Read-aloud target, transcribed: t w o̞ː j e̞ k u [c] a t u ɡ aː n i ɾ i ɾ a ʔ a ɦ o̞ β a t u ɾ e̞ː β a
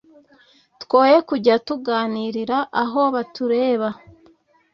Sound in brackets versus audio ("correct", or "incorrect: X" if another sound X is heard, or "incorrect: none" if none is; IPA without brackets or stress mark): incorrect: ɟ